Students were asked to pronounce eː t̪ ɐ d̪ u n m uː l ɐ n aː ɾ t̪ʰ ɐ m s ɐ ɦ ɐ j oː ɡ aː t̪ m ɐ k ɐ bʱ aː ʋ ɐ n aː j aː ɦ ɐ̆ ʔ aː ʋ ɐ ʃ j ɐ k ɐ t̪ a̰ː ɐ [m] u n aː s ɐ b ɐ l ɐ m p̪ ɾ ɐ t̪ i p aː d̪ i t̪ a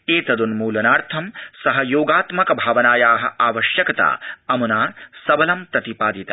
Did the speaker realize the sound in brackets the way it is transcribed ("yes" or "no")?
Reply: yes